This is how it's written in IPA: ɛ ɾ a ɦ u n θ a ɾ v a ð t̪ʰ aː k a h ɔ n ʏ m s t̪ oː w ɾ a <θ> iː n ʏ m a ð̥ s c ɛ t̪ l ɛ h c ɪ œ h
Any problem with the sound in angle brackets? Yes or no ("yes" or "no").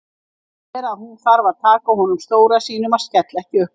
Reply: yes